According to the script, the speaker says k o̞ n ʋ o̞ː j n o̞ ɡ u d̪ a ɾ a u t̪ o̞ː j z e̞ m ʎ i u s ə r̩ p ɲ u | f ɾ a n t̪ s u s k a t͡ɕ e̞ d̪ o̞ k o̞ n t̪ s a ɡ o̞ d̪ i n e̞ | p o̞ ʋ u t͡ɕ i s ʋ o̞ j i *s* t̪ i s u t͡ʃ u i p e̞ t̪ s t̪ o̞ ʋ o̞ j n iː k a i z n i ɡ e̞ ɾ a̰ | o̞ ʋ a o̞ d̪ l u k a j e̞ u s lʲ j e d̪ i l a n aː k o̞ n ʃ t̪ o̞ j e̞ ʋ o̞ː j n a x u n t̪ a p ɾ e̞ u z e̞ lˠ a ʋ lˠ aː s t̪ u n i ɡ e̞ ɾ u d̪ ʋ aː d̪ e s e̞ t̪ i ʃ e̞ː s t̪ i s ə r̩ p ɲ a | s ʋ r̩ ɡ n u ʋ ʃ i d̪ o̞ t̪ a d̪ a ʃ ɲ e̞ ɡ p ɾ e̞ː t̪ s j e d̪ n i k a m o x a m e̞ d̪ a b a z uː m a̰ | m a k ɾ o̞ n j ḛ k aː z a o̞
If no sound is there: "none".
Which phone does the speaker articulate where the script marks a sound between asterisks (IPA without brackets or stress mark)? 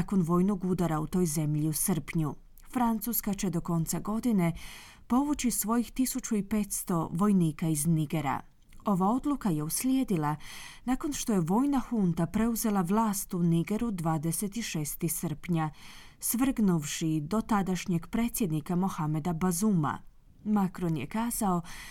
x